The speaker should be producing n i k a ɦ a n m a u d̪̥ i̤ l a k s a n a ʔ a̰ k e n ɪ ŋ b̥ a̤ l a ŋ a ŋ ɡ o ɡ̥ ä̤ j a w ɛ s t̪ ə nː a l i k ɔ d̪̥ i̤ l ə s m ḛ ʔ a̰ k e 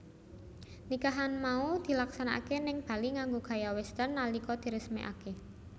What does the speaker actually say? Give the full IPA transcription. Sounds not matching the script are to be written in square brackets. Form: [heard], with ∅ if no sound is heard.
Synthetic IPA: n i k a ɦ a n m a u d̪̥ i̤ l a k s a n a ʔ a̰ k e n ɪ ŋ b̥ a̤ l [i] ŋ a ŋ ɡ o ɡ̥ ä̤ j a w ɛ s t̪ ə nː a l i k ɔ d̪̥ i̤ [ɾ] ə s m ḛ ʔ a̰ k e